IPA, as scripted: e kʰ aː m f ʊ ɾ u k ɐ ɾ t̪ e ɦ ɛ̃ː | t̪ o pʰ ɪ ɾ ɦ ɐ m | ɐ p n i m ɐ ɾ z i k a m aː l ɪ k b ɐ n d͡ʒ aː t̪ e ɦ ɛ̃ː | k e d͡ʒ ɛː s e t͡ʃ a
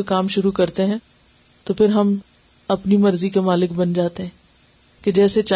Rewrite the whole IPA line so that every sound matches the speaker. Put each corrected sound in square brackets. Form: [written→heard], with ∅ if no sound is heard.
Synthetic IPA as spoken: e [kʰ→k] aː m [f→ʃ] ʊ ɾ u k ɐ ɾ t̪ e ɦ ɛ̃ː | t̪ o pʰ ɪ ɾ ɦ ɐ m | ɐ p n i m ɐ ɾ z i k [a→e] m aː l ɪ k b ɐ n d͡ʒ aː t̪ e ɦ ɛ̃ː | k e d͡ʒ ɛː s e t͡ʃ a